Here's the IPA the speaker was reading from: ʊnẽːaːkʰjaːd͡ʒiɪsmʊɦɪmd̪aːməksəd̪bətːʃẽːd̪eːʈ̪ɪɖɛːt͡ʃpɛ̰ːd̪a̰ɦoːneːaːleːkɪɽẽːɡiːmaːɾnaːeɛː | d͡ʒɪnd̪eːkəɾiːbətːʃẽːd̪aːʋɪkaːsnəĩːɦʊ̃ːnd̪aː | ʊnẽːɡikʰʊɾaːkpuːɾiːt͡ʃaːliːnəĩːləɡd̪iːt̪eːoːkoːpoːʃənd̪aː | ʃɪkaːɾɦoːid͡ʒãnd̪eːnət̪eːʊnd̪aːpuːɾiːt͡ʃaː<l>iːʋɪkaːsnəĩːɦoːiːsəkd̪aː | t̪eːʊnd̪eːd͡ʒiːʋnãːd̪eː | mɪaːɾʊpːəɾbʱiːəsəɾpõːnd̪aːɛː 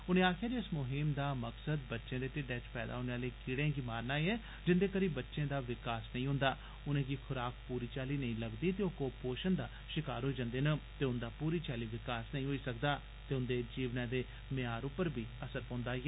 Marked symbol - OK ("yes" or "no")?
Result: yes